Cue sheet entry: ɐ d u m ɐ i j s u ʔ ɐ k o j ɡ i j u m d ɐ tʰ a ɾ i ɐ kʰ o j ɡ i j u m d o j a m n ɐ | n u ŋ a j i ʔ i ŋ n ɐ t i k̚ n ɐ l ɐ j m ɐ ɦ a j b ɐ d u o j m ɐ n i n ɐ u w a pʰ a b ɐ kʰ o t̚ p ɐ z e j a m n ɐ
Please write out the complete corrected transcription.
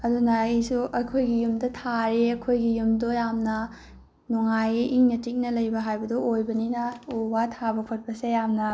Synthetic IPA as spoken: ɐ d u n ɐ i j s u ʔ ɐ kʰ o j ɡ i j u m d ɐ tʰ a ɾ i ɐ kʰ o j ɡ i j u m d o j a m n ɐ | n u ŋ a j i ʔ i ŋ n ɐ t i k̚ n ɐ l ɐ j b ɐ ɦ a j b ɐ d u o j b ɐ n i n ɐ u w a tʰ a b ɐ kʰ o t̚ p ɐ s e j a m n ɐ